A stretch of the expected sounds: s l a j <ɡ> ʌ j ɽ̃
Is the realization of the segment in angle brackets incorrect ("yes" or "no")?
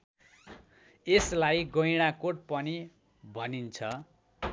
no